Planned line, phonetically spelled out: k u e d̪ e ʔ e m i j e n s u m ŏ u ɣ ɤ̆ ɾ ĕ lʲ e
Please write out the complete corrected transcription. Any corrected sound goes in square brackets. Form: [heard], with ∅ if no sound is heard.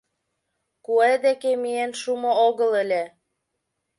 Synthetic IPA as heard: k u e d̪ e [k] e m i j e n [ʃ] u m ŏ [o] ɣ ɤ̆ [l] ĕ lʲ e